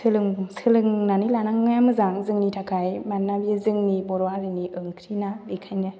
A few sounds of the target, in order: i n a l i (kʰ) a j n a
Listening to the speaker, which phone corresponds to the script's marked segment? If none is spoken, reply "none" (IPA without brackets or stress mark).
kʰ